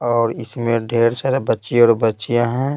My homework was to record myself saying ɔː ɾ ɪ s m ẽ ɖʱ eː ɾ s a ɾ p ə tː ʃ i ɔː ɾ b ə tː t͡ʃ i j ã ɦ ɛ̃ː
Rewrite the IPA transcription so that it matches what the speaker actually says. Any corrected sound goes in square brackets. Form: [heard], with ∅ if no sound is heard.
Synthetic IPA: ɔː ɾ ɪ s m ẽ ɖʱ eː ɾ s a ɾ [b] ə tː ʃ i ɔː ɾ b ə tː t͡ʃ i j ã ɦ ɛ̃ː